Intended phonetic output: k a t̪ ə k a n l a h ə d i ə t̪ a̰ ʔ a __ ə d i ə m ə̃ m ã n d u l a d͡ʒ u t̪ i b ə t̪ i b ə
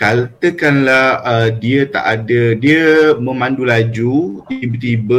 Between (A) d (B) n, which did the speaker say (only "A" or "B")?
A